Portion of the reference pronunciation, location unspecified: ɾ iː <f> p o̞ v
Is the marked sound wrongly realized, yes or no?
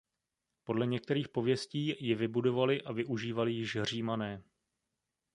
yes